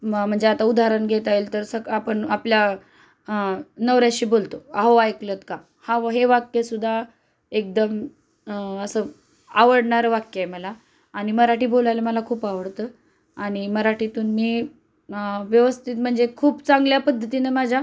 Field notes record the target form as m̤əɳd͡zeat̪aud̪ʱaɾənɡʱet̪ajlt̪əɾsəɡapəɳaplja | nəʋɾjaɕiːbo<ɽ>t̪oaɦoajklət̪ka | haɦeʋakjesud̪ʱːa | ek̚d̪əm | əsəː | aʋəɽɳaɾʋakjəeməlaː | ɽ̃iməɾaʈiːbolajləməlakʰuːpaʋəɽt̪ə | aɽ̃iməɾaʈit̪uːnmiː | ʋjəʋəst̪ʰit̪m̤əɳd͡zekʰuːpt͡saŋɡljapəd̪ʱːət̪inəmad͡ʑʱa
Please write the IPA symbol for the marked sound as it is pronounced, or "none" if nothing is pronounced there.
l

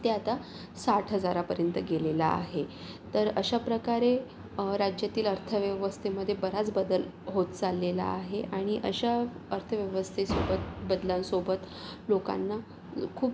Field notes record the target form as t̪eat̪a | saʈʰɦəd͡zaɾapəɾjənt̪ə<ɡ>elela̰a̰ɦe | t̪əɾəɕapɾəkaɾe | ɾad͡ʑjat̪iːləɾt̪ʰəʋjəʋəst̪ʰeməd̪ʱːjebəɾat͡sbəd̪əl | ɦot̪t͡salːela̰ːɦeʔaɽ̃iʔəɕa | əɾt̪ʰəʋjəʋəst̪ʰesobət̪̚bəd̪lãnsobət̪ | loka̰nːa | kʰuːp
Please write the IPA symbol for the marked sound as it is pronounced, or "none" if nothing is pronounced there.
ɡ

